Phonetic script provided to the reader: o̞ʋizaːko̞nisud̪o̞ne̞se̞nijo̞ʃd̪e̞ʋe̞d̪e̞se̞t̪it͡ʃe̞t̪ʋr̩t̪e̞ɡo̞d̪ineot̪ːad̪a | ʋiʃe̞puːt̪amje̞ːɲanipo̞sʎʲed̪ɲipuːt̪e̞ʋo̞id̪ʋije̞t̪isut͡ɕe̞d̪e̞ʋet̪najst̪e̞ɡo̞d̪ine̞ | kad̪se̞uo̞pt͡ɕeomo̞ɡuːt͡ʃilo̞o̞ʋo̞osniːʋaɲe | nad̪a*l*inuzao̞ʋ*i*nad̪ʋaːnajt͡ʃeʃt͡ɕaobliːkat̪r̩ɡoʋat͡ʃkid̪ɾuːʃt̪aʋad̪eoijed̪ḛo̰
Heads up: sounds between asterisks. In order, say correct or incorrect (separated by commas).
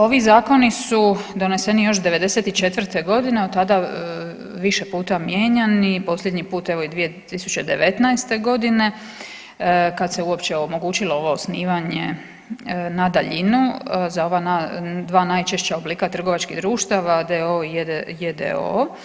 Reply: incorrect, incorrect